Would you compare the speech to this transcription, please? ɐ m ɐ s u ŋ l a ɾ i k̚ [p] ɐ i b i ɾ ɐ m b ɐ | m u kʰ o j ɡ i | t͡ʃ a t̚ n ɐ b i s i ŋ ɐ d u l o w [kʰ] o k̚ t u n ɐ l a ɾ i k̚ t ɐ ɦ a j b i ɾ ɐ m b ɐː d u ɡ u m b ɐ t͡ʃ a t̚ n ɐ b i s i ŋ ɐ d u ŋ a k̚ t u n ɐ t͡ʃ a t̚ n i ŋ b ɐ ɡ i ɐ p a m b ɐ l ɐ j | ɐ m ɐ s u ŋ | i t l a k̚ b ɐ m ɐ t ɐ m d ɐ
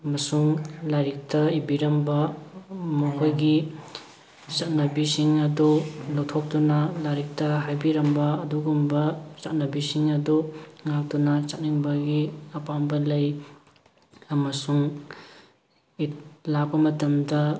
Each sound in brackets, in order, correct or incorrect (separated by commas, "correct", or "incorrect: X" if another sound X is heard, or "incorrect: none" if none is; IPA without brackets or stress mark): incorrect: t, incorrect: tʰ